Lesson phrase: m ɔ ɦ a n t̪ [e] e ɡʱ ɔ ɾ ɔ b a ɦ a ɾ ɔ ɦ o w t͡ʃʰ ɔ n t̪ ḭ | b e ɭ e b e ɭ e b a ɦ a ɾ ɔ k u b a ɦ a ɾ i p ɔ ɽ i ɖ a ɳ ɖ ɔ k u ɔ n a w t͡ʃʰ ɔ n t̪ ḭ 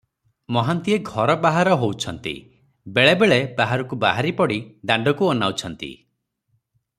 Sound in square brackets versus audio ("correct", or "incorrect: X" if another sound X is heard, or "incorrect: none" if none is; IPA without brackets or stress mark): incorrect: i